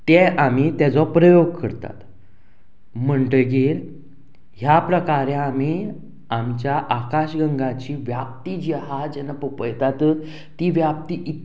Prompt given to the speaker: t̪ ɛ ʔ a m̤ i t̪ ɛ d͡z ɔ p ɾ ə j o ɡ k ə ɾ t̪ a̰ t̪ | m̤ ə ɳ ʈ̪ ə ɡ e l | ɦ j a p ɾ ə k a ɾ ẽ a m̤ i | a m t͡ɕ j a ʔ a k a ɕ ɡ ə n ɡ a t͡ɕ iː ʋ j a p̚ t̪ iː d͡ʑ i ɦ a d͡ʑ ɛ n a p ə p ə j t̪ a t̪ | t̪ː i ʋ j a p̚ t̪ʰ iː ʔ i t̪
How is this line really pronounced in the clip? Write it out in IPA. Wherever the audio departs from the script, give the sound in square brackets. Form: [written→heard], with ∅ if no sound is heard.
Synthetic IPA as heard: t̪ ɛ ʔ a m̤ i t̪ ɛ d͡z ɔ p ɾ ə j o ɡ k ə ɾ t̪ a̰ t̪ | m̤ ə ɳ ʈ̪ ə ɡ e l | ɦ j a p ɾ ə k a ɾ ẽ a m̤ i | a m t͡ɕ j a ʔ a k a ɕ ɡ ə [n→ŋ] ɡ a t͡ɕ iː ʋ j a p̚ t̪ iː d͡ʑ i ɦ a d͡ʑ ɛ n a p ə p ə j t̪ a t̪ | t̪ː i ʋ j a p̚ [t̪ʰ→t̪] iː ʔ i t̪